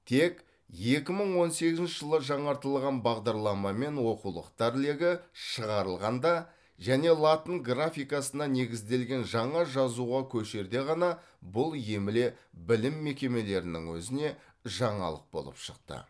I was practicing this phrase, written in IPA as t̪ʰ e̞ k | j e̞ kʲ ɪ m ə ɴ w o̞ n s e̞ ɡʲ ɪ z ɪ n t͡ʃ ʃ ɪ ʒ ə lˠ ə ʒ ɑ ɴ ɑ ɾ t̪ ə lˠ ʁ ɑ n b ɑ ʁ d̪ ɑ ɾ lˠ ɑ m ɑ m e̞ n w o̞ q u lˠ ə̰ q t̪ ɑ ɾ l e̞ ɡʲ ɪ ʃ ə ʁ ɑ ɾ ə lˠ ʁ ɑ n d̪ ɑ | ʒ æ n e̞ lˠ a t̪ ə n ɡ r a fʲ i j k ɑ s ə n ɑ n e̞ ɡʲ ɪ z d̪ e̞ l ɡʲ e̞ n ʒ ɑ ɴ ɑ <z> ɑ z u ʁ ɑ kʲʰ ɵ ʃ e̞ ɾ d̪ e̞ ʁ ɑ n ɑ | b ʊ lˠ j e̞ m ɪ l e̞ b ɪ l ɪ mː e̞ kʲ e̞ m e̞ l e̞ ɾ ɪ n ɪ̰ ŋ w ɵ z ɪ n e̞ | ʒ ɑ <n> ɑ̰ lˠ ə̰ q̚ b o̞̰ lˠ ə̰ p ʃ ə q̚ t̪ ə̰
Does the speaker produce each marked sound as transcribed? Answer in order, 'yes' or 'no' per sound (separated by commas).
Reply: no, no